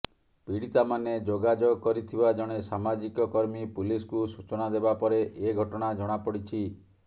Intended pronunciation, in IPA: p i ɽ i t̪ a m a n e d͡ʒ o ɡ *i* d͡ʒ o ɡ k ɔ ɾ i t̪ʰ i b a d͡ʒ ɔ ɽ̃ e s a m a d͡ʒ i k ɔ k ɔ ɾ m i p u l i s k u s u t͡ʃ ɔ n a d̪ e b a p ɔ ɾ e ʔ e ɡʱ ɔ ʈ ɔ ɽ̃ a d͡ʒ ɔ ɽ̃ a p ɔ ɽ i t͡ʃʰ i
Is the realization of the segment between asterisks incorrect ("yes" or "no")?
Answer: yes